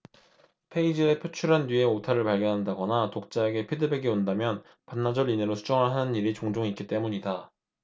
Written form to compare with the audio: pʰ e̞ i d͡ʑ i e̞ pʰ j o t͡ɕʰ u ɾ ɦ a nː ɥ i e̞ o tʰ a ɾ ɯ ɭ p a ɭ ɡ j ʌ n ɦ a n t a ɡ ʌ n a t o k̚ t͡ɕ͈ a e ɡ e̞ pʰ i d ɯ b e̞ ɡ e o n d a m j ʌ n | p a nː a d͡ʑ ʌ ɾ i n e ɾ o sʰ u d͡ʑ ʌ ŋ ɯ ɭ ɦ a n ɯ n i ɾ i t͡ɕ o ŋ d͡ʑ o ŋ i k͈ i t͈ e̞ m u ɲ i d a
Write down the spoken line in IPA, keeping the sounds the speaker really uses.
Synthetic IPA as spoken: pʰ e̞ i d͡ʑ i e̞ pʰ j o t͡ɕʰ u ɾ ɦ a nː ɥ i e̞ o tʰ a ɾ ɯ ɭ p a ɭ ɡ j ʌ n ɦ a n d a ɡ ʌ n a t o k̚ t͡ɕ͈ a e ɡ e̞ pʰ i d ɯ b e̞ ɡ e o n d a m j ʌ n | p a nː a d͡ʑ ʌ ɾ i n e ɾ o sʰ u d͡ʑ ʌ ŋ ɯ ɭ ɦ a n ɯ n i ɾ i t͡ɕ o ŋ d͡ʑ o ŋ i k͈ i t͈ e̞ m u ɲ i d a